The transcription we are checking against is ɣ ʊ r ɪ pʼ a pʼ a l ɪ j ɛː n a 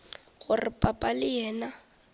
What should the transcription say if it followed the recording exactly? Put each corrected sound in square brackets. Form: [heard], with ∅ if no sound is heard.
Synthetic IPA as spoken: ɣ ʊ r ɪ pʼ a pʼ a l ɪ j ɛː n a